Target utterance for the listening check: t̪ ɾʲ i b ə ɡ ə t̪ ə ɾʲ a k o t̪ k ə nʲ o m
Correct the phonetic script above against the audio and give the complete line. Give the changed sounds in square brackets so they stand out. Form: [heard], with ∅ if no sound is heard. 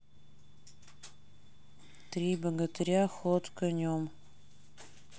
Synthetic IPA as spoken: t̪ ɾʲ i b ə ɡ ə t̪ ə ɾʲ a [x] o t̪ k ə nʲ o m